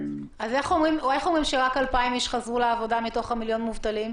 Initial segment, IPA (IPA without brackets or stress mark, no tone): a